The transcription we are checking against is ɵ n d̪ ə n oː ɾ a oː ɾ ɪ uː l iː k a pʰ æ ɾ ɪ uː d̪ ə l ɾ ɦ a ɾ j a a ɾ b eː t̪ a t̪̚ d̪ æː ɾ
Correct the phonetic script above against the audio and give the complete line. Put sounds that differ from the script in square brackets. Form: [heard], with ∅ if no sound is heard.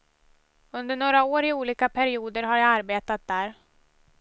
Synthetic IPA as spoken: ɵ n d̪ ə [ɳ] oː ɾ a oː ɾ ɪ uː l iː k a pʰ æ ɾ ɪ uː d̪ ə [∅] ɾ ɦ a ɾ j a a ɾ b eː t̪ a t̪̚ d̪ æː ɾ